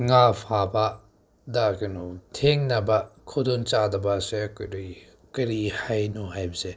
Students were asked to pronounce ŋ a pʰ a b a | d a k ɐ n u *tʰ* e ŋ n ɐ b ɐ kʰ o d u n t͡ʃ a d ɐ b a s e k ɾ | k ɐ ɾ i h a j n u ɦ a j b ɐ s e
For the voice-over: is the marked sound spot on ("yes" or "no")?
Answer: yes